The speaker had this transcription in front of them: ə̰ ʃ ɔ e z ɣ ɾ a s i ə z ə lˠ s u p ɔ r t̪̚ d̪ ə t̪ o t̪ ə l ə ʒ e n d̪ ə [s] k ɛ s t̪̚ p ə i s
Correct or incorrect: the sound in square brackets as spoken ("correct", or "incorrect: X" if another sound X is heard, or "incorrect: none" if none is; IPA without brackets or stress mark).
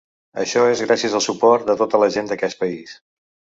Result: incorrect: none